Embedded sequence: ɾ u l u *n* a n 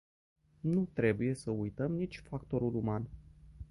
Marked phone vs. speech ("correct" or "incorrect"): incorrect